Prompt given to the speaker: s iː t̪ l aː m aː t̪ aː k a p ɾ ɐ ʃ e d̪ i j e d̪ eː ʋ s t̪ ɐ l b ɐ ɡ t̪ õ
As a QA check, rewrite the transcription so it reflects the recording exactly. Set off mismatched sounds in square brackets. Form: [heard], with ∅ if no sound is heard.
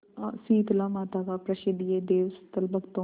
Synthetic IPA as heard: s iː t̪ l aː m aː t̪ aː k a p ɾ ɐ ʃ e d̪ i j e d̪ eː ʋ s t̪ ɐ l b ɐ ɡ t̪ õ